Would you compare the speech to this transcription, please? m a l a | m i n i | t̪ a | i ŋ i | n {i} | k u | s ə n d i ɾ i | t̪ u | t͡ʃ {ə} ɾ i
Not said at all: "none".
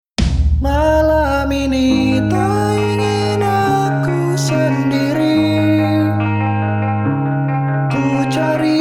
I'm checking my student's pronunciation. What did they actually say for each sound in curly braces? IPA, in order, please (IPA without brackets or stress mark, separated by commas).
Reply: a, a